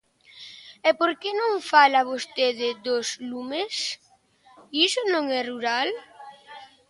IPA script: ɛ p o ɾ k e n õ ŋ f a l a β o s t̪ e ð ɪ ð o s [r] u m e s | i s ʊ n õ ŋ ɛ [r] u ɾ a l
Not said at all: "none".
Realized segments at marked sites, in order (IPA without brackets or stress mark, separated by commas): l, r